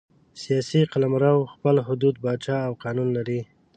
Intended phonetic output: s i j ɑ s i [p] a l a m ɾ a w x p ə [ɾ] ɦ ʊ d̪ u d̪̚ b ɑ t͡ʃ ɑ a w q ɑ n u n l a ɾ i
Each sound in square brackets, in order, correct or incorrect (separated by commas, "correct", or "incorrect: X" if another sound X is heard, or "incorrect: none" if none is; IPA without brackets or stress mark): incorrect: q, incorrect: l